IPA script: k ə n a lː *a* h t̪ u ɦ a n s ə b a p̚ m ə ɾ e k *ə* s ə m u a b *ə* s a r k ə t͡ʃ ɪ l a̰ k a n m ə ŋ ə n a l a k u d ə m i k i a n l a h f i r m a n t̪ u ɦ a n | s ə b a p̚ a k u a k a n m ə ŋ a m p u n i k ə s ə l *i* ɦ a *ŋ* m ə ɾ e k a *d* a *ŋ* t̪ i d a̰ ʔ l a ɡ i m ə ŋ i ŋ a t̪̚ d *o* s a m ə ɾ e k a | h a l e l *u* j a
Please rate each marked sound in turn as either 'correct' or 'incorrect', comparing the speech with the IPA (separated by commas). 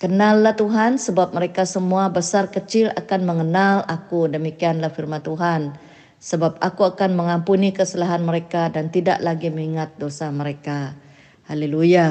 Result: correct, incorrect, correct, incorrect, incorrect, correct, incorrect, correct, correct